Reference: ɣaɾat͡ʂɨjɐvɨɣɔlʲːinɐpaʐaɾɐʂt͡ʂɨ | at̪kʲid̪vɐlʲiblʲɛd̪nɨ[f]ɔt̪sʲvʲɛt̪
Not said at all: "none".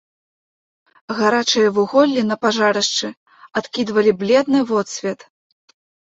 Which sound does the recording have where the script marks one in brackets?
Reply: v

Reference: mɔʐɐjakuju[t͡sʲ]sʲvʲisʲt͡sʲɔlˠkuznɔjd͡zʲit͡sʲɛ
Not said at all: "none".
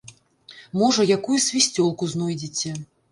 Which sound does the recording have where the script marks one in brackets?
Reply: none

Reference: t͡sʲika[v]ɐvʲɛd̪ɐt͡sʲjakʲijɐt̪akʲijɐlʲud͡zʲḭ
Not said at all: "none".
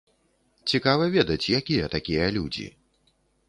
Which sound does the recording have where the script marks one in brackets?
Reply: v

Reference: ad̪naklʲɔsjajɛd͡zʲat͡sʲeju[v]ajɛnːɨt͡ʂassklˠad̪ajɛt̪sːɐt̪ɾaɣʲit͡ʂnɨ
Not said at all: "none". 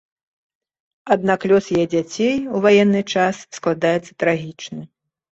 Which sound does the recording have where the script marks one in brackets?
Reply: v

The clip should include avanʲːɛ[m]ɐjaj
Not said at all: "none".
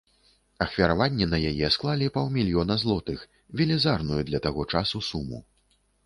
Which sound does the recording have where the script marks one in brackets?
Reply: n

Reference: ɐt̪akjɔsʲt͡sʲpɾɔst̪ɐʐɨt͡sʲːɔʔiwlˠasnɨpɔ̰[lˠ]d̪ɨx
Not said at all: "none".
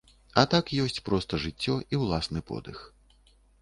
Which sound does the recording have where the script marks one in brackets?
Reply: none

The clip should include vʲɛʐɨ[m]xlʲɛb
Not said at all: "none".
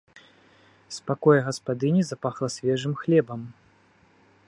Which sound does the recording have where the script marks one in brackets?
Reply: m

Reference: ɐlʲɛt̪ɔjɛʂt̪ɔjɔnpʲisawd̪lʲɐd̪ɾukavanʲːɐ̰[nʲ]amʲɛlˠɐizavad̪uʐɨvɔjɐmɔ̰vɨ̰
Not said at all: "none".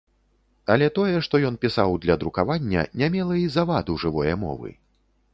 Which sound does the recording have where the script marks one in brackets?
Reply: nʲ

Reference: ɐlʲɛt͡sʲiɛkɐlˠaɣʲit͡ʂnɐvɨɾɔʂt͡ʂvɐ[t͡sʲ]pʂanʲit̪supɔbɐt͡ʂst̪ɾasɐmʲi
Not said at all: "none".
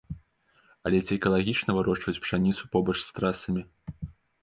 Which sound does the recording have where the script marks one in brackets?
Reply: t͡sʲ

